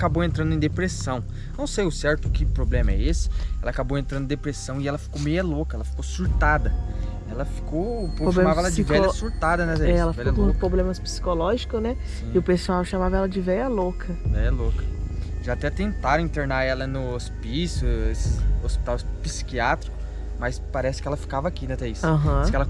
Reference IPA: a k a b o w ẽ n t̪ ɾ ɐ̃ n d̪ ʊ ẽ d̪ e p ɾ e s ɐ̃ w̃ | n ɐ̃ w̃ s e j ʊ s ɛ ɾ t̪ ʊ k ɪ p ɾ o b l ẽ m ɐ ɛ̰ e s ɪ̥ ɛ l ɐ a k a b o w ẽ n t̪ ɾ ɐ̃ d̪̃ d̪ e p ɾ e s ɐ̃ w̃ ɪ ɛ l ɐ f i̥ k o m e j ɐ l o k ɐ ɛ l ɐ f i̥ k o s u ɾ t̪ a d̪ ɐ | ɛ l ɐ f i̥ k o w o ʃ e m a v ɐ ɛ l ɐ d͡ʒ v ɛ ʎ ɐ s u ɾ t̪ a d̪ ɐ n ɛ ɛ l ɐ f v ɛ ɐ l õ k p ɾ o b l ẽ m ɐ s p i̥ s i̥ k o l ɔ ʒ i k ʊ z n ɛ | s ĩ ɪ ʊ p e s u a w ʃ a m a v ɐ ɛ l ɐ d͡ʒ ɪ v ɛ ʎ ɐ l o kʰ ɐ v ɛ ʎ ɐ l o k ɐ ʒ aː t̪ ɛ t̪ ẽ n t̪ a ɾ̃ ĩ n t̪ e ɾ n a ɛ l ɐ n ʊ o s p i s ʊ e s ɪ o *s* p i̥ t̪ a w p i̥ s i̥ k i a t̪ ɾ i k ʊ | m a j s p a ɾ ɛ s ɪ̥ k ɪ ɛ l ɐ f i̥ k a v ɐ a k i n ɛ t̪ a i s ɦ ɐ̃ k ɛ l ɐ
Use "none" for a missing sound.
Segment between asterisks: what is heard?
s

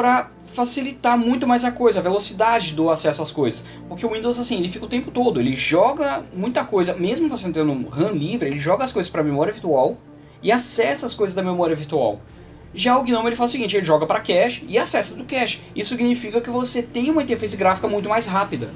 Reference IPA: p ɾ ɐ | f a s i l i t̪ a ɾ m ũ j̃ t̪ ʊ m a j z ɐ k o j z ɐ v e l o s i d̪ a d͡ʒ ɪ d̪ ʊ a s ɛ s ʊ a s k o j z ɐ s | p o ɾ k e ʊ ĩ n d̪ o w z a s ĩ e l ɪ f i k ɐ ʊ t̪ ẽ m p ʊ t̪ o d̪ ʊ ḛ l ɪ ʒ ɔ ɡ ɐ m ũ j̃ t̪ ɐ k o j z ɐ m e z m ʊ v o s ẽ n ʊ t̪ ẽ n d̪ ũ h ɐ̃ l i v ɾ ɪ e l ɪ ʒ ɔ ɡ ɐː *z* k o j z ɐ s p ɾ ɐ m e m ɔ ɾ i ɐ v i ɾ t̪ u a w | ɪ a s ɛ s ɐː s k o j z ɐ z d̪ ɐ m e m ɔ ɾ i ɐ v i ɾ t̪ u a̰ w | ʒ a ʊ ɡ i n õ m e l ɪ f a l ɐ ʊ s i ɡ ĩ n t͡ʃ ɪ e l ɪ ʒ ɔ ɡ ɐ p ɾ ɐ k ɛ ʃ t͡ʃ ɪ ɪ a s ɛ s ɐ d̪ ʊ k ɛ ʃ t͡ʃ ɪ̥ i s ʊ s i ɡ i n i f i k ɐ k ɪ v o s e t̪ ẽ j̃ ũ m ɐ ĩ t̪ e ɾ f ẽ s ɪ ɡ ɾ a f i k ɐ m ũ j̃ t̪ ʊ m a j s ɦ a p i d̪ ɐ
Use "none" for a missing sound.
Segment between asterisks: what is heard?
s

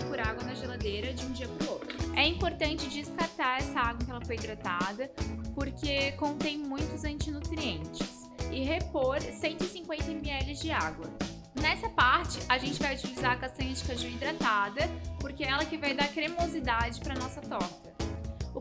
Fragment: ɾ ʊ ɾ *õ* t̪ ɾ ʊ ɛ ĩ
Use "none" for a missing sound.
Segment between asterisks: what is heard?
o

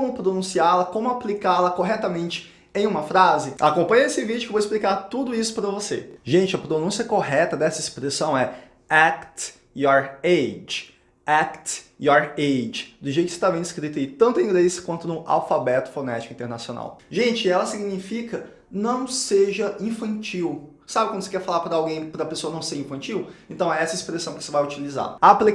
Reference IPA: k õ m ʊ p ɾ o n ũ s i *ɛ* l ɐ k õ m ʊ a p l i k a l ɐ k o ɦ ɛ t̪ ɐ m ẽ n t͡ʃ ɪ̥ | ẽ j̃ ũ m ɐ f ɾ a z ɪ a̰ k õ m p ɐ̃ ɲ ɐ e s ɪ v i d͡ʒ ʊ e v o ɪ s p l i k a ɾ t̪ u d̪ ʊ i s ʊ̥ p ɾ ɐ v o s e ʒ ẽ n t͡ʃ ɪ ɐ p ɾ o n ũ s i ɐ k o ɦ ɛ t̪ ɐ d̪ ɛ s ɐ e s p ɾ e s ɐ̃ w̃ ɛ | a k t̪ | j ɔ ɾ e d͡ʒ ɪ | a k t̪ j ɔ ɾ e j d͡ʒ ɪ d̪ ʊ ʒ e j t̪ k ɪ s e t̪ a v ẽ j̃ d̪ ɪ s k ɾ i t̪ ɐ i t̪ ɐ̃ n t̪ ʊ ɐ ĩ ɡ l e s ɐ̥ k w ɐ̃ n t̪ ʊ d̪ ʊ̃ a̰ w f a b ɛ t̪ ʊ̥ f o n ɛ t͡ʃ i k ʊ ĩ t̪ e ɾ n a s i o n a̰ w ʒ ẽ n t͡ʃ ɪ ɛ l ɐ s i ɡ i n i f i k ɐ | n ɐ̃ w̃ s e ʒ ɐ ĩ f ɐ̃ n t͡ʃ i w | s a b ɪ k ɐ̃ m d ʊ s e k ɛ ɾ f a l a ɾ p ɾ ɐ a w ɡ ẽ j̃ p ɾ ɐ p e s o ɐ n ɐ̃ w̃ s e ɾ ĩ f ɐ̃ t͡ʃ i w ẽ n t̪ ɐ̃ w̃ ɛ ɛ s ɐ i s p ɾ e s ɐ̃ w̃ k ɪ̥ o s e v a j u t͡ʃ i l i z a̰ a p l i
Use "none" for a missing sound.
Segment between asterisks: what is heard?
a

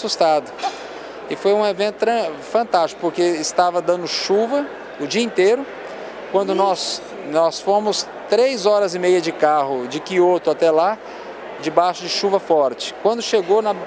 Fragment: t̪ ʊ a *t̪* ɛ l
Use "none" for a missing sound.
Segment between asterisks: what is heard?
t̪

